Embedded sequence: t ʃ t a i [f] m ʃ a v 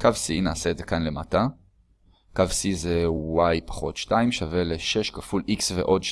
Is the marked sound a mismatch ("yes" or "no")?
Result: yes